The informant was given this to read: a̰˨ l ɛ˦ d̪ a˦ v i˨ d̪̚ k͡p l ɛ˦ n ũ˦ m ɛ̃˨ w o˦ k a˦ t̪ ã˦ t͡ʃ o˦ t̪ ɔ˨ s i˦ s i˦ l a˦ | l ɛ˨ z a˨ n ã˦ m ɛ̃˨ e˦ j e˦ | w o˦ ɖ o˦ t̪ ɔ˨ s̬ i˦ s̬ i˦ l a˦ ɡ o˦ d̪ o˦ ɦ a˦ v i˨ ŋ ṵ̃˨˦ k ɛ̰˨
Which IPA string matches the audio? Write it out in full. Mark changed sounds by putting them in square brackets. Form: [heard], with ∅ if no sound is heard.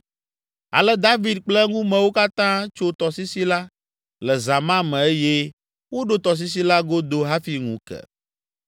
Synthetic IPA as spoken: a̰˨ l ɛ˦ d̪ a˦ v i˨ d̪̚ k͡p l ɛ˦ [ŋ] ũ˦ m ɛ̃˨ w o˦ k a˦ t̪ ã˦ t͡ʃ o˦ t̪ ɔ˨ s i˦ s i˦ l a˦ | l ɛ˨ z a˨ [m] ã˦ m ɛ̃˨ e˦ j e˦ | w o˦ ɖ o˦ t̪ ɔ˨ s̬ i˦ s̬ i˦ l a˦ ɡ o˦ d̪ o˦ ɦ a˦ [f] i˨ ŋ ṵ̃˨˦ k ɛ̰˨